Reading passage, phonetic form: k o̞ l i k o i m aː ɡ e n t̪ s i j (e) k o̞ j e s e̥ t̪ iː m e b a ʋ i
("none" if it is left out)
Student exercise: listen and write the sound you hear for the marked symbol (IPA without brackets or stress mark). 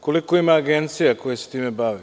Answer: a